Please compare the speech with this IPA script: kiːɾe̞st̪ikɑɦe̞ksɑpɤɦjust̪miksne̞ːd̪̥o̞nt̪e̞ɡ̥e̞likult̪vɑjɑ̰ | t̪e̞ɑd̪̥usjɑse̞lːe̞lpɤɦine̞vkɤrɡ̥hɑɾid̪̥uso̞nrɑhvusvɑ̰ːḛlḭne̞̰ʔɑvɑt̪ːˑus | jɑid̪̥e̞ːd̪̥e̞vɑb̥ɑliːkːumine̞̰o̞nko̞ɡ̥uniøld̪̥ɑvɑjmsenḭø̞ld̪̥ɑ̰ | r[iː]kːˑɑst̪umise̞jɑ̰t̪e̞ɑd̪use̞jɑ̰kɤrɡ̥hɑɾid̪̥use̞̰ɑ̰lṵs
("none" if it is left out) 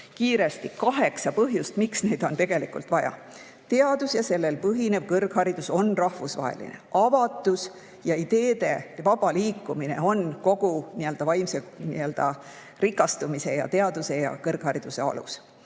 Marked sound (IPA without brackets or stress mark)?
i